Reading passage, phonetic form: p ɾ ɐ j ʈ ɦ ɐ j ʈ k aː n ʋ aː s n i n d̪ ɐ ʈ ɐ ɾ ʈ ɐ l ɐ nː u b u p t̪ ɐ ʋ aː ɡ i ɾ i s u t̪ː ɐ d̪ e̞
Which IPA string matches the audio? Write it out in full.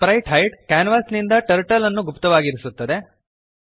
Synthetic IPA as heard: p ɾ ɐ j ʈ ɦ ɐ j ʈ k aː n ʋ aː s n i n d̪ ɐ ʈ ɐ ɾ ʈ ɐ l ɐ nː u ɡ u p t̪ ɐ ʋ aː ɡ i ɾ i s u t̪ː ɐ d̪ e̞